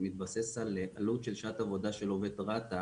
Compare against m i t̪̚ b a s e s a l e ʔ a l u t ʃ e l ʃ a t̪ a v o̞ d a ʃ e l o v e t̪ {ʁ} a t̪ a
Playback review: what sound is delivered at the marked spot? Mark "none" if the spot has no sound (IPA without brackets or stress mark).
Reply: ʁ